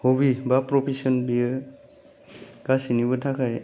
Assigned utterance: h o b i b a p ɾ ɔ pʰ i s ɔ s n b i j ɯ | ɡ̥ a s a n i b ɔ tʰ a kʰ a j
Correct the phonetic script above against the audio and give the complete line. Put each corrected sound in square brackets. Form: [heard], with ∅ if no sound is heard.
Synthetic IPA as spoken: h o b i b a p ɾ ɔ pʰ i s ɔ [∅] n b i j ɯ | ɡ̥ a s [i] n i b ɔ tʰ a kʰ a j